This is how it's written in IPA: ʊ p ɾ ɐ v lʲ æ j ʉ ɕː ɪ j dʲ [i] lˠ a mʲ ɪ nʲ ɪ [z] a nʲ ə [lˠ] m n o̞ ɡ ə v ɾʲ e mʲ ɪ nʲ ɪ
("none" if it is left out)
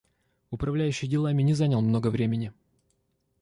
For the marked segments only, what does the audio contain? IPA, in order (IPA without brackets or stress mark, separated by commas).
ɪ, z, lˠ